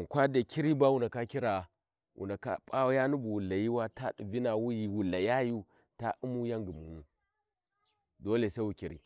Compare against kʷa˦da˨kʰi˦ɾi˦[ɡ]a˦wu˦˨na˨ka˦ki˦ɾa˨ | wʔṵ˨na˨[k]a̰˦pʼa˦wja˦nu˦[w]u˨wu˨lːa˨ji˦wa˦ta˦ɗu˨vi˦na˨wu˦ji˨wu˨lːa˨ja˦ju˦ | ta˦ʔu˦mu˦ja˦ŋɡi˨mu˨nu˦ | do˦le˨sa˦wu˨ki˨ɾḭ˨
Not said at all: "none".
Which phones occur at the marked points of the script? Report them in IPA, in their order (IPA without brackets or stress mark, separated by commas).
b, k, b